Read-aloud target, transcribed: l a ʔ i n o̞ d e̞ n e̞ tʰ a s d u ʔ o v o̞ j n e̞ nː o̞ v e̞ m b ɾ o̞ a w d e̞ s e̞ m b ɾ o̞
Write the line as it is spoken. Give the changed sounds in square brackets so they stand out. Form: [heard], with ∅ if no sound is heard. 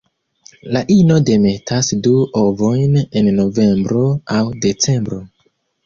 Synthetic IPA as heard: l a ʔ i n o̞ d e̞ [m] e̞ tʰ a s d u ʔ o v o̞ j n e̞ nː o̞ v e̞ m b ɾ o̞ a w d e̞ [t͡s] e̞ m b ɾ o̞